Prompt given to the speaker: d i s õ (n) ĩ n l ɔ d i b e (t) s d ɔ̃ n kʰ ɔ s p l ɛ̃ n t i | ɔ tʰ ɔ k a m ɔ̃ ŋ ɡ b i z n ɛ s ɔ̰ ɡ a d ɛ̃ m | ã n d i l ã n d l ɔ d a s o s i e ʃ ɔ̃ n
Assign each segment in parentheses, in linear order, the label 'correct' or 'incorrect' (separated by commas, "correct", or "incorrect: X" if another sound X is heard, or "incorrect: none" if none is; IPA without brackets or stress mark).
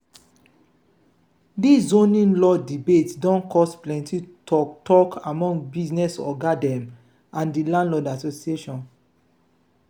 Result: correct, correct